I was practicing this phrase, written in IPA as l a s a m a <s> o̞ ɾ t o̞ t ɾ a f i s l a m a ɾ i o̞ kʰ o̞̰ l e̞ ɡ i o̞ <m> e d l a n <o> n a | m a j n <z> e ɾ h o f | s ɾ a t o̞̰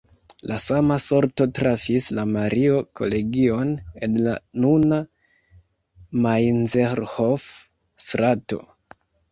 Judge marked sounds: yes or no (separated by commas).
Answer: yes, no, no, yes